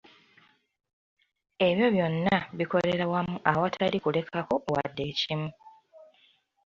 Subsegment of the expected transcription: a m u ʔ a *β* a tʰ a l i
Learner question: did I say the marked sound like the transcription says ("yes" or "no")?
no